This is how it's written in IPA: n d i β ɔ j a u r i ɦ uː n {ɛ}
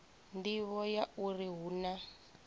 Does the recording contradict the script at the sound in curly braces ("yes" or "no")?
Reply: yes